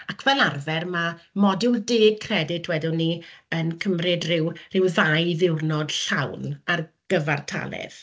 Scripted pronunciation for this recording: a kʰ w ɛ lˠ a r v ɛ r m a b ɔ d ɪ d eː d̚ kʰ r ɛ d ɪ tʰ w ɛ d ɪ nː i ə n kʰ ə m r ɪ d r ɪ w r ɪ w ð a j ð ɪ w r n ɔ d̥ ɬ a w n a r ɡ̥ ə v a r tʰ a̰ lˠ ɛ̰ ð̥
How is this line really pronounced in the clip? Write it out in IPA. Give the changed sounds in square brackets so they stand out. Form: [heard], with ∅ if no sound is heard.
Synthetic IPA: a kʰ [v] ɛ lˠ a r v ɛ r m a [m] ɔ d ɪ d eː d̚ kʰ r ɛ d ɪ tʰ w ɛ d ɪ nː i ə n kʰ ə m r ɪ d r ɪ w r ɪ w ð a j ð ɪ w r n ɔ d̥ ɬ a w n a r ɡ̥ ə v a r tʰ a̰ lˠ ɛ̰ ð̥